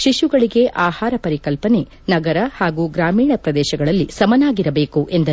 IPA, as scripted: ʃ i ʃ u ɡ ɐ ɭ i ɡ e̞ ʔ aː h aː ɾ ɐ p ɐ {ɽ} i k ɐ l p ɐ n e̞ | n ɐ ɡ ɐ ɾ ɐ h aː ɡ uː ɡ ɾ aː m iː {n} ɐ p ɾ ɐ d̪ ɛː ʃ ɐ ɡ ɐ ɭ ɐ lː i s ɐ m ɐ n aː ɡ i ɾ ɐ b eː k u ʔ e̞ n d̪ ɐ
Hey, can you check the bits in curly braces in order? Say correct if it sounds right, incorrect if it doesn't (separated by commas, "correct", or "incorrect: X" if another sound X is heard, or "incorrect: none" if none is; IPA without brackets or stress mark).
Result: incorrect: ɾ, incorrect: ɳ